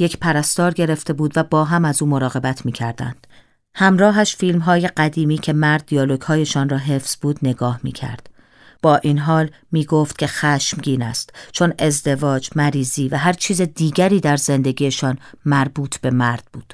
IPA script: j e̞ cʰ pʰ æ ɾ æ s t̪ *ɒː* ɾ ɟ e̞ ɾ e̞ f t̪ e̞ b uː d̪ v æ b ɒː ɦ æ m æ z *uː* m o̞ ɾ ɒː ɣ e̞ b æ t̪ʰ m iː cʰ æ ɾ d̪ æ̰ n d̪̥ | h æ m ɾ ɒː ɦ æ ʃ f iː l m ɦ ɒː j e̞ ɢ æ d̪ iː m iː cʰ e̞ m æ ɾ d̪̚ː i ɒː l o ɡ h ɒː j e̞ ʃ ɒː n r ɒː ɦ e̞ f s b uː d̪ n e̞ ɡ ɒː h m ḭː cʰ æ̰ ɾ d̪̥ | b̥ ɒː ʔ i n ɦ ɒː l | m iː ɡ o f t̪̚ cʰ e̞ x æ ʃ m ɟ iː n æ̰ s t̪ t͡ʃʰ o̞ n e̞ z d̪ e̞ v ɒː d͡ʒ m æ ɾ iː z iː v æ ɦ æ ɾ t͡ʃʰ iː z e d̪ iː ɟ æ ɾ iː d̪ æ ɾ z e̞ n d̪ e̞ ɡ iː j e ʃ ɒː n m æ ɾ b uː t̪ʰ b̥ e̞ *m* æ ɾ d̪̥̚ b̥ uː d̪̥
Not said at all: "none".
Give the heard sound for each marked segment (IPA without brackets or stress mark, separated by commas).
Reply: ɒː, uː, m